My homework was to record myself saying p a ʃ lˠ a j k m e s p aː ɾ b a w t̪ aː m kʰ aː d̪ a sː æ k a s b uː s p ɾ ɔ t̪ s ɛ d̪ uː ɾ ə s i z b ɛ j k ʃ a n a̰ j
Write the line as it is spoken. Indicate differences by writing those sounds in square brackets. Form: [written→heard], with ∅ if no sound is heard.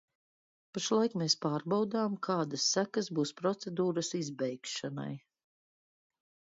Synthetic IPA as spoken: p a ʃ lˠ a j k m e s p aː ɾ b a w [t̪→d̪] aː m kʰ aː d̪ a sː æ k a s b uː s p ɾ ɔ t̪ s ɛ d̪ uː ɾ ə s i z b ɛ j k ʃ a n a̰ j